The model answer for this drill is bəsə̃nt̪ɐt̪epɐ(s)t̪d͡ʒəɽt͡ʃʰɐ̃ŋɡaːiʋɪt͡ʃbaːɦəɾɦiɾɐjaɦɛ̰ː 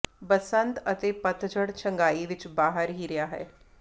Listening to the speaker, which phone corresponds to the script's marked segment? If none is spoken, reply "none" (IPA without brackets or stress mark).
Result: none